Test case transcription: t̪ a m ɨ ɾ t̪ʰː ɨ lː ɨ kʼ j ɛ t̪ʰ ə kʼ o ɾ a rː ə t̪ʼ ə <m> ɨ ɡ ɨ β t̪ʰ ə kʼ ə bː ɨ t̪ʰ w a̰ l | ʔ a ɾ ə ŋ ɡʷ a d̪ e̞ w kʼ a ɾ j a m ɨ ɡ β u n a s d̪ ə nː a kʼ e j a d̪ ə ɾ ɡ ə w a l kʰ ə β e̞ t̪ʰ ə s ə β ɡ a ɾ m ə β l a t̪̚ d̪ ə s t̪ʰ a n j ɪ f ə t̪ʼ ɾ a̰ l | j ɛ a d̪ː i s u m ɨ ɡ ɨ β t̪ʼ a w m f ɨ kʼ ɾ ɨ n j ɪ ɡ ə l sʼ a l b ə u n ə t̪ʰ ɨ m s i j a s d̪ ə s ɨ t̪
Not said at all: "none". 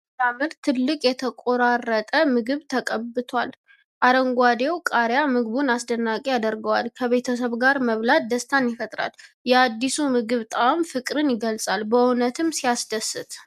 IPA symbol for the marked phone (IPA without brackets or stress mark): m